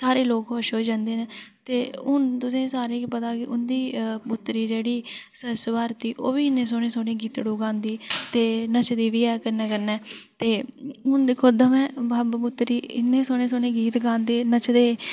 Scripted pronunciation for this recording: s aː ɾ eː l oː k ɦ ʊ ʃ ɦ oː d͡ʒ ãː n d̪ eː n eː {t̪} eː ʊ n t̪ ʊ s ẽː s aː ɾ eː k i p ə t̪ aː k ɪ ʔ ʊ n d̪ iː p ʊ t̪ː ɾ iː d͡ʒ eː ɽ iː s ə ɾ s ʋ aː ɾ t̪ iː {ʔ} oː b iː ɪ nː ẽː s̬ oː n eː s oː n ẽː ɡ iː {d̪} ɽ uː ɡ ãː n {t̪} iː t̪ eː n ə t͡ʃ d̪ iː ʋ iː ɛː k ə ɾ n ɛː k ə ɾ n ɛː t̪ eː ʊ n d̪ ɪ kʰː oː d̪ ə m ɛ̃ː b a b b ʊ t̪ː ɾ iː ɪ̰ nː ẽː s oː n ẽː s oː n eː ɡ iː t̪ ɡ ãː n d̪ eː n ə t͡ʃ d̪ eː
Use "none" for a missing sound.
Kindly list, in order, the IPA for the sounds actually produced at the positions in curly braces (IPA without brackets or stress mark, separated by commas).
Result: t̪, ʔ, t̪, d̪